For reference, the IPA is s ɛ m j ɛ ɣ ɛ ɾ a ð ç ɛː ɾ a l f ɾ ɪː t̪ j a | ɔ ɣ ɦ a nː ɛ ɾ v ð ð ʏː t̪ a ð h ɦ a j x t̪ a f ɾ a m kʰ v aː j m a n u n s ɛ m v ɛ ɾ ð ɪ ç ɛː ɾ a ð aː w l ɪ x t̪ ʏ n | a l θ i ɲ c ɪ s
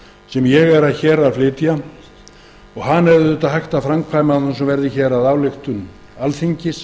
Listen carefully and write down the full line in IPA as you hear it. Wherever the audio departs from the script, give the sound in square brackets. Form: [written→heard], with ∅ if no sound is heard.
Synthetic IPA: s ɛ m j ɛ ɣ ɛ ɾ a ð ç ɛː ɾ a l f [ɾ→l] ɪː t̪ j a | ɔ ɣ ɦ a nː ɛ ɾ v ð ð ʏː t̪ a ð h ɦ a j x t̪ a f ɾ a m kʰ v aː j m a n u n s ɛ m v ɛ ɾ ð ɪ ç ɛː ɾ a ð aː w l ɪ x t̪ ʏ n | a l θ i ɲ c ɪ s

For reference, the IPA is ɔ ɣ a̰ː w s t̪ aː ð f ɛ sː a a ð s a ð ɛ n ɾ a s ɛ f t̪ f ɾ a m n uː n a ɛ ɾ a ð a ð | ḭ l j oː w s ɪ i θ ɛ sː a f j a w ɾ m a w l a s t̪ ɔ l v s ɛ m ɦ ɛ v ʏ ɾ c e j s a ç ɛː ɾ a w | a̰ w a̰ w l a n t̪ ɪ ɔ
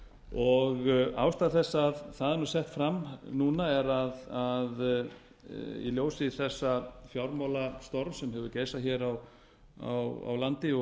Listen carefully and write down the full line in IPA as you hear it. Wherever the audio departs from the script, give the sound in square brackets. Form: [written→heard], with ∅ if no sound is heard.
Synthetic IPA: ɔ ɣ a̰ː w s t̪ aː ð [f→θ] ɛ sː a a ð [s→θ] a ð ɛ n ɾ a s ɛ [f→h] t̪ f ɾ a m n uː n a ɛ ɾ a ð a ð | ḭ l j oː w s ɪ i θ ɛ sː a f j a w ɾ m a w l a s t̪ ɔ [l→ɾ] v s ɛ m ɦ ɛ v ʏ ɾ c e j s a ç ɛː ɾ a w | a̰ w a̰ w l a n t̪ ɪ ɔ

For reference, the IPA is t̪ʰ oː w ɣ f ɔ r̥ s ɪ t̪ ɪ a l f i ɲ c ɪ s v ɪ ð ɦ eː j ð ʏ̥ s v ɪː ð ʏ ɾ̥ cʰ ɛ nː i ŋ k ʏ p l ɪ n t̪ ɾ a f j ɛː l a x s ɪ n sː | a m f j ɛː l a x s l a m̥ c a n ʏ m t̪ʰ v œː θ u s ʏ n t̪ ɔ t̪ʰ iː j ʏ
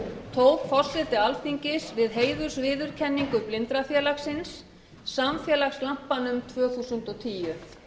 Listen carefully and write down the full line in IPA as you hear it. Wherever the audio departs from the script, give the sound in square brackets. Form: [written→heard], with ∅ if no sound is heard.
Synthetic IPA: t̪ʰ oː w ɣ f ɔ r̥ s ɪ t̪ ɪ a l f i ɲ c ɪ s v ɪ ð ɦ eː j ð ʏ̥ s v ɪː ð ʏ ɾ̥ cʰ ɛ nː i ŋ k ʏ p l ɪ n t̪ ɾ a f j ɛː l a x s ɪ n sː | a m f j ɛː l a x s l a m̥ [c→p] a n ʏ m t̪ʰ v œː θ u s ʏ n t̪ ɔ t̪ʰ iː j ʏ

